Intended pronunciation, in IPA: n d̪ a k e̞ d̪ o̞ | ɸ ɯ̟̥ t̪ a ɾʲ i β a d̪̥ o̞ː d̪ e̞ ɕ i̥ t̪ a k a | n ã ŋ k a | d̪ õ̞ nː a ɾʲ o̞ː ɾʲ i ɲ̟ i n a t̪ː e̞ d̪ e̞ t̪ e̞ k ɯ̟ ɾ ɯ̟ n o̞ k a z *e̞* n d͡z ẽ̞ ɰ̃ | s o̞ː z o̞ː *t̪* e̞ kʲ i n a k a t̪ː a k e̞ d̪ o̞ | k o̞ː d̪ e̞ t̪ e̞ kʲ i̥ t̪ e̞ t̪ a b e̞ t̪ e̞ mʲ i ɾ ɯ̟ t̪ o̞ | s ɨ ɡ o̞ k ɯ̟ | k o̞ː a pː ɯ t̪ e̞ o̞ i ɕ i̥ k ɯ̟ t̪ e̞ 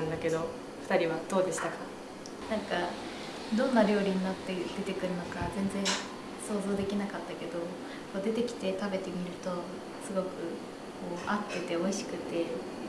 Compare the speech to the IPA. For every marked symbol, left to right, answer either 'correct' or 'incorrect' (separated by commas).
incorrect, incorrect